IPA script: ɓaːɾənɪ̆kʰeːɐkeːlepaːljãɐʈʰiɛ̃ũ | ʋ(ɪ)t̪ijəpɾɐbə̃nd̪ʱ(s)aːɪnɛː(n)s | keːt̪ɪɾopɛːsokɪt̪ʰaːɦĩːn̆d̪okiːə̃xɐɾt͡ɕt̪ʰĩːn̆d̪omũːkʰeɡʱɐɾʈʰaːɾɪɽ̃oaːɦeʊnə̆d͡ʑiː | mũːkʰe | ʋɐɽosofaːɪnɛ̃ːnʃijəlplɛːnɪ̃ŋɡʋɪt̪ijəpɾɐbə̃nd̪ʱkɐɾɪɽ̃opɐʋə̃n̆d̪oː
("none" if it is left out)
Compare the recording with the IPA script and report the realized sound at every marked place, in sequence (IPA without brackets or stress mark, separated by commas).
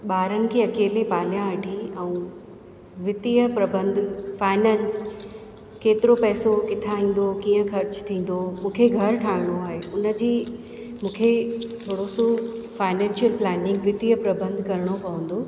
ɪ, f, n